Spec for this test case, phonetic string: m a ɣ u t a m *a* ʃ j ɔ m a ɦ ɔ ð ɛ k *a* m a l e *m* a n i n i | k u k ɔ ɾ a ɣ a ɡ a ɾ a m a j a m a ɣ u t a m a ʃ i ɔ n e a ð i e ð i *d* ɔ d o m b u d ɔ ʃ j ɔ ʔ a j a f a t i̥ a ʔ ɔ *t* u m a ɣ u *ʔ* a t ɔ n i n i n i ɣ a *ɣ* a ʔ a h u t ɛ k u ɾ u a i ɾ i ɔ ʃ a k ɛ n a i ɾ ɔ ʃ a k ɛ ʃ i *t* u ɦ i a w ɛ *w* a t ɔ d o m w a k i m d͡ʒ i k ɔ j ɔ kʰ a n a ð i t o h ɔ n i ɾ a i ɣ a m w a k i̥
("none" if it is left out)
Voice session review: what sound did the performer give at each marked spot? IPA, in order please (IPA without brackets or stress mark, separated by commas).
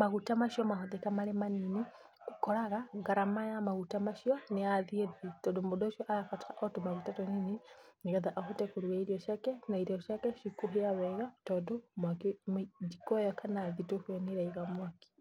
a, a, m, t, t, t, ð, k, ɣ